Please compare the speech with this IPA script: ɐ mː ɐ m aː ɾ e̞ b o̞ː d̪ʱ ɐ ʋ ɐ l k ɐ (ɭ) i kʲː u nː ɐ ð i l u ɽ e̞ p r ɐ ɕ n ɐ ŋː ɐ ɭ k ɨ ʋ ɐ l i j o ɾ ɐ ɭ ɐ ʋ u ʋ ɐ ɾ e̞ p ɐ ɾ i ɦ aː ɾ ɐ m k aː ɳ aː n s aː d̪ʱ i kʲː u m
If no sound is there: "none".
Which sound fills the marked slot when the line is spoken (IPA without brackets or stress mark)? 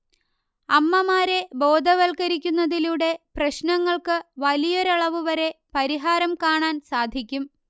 ɾ